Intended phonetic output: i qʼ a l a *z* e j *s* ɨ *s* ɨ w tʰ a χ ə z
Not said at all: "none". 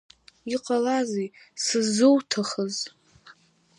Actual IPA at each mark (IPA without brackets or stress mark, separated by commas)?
z, s, z